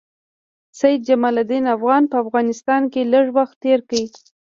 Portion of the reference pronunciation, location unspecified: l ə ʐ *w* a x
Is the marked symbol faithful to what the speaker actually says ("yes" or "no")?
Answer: yes